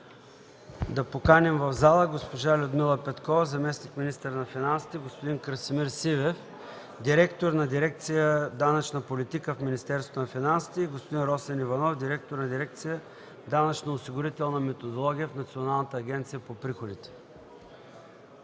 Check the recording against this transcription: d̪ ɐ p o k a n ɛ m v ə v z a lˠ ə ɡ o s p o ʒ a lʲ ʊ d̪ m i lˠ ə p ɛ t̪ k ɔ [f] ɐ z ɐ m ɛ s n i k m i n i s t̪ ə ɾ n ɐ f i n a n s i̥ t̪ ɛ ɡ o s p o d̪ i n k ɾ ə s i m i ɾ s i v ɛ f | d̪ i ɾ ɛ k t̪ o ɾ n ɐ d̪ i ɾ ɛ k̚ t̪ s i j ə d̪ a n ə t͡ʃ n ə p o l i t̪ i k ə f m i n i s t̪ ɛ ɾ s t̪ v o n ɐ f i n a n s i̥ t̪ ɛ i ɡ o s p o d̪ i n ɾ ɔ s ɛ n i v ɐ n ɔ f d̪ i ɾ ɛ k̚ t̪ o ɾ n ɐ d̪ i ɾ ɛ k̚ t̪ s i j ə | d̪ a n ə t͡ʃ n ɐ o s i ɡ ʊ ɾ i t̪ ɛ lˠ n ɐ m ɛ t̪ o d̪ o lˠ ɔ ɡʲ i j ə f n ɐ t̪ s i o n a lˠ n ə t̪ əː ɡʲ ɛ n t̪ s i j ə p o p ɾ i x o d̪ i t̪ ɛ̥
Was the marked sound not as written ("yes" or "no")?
yes